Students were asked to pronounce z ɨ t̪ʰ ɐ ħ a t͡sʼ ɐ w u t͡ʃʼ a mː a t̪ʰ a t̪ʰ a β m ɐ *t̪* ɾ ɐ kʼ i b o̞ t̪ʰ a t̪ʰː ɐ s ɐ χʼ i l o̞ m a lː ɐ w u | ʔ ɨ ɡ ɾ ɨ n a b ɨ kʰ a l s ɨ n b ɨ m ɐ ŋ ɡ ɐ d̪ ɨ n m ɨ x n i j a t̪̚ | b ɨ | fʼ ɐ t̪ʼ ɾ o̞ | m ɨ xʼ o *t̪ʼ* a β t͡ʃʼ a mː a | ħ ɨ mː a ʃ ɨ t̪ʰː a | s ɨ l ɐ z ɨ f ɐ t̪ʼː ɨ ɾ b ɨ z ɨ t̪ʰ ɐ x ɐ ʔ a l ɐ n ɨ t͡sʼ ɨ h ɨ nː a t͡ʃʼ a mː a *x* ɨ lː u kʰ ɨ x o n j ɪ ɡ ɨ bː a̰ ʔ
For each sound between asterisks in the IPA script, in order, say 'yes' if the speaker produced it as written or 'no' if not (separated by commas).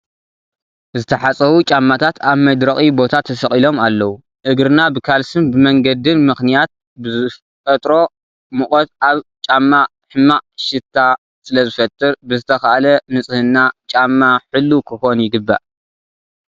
no, no, no